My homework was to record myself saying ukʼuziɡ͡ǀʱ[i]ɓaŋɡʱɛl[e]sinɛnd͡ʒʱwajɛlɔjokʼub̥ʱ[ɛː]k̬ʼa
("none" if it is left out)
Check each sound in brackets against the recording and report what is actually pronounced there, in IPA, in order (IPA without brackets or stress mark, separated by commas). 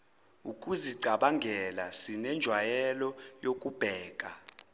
a, a, ɛː